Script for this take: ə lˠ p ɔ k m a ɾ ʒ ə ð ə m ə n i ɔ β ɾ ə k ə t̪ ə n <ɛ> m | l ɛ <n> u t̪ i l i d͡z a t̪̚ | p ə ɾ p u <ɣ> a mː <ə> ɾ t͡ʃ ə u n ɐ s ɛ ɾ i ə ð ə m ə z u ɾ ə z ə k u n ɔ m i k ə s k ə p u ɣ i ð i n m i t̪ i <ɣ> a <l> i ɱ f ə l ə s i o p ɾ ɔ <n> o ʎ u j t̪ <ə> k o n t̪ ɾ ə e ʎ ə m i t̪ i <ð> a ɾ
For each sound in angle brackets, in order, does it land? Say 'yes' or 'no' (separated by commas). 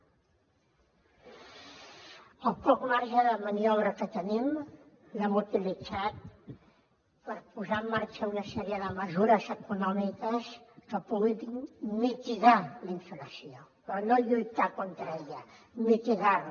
no, no, no, no, yes, yes, yes, no, no